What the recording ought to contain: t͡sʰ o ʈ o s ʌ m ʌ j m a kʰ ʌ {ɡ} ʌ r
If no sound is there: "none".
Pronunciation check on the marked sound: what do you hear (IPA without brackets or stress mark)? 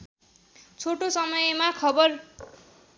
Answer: b